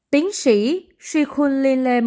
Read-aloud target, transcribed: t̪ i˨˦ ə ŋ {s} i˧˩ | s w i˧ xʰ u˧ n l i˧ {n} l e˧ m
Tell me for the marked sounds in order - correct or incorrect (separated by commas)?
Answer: correct, correct